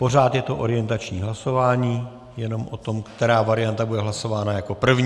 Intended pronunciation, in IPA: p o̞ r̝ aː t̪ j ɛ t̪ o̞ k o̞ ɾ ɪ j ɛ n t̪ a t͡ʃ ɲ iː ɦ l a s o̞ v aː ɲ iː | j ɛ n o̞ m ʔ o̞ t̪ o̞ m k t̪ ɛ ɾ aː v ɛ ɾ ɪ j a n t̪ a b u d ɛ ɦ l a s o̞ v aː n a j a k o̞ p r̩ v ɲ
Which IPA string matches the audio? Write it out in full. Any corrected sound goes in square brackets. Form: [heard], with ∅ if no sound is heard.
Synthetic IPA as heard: p o̞ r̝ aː t̪ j ɛ t̪ o̞ [ʔ] o̞ ɾ ɪ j ɛ n t̪ a t͡ʃ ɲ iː ɦ l a s o̞ v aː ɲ iː | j ɛ n o̞ m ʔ o̞ t̪ o̞ m k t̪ ɛ ɾ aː v [a] ɾ ɪ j a n t̪ a b u d ɛ ɦ l a s o̞ v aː n a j a k o̞ p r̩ v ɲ